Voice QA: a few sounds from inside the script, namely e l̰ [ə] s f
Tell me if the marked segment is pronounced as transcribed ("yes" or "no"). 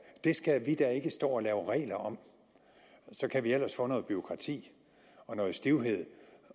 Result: no